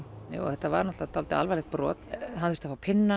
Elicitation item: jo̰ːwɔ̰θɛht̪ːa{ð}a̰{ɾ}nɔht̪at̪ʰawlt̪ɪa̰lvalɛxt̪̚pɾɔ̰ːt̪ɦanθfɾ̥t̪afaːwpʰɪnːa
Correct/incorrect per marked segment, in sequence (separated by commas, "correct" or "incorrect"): incorrect, correct